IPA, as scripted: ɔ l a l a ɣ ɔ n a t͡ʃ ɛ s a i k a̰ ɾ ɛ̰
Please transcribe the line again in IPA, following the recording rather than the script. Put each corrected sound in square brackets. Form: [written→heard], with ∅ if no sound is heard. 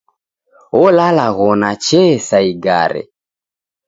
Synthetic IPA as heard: ɔ l a l a ɣ ɔ n a t͡ʃ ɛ s a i [k→ɡ] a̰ ɾ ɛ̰